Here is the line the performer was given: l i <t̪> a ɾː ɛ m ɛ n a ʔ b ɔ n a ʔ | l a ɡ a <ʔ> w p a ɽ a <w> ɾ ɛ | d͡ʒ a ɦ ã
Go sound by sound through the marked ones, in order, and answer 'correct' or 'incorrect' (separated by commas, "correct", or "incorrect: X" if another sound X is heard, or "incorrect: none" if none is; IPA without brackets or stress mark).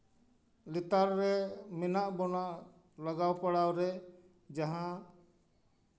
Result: correct, incorrect: none, correct